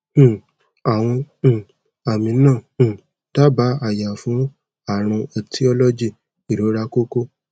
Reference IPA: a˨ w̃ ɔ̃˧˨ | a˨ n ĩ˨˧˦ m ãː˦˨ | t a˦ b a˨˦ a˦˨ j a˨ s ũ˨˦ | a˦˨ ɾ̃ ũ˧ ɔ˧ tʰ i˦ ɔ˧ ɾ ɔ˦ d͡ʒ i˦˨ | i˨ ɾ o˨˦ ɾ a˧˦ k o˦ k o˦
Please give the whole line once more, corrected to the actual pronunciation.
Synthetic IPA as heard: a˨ w̃ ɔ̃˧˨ | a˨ m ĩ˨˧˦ n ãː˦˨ | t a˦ b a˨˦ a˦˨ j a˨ f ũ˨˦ | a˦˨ ɾ̃ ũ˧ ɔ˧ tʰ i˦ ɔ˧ l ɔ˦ d͡ʒ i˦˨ | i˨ ɾ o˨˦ ɾ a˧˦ k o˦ k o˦